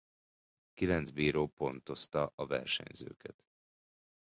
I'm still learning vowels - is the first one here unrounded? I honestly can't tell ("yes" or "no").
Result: yes